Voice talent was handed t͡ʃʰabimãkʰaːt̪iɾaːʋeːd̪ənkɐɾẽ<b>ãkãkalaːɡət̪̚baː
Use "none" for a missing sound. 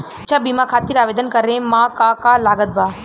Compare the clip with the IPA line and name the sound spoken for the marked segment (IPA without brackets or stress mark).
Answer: m